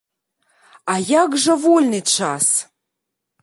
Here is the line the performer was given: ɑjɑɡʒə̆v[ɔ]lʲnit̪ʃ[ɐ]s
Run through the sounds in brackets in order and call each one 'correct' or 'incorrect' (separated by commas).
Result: incorrect, incorrect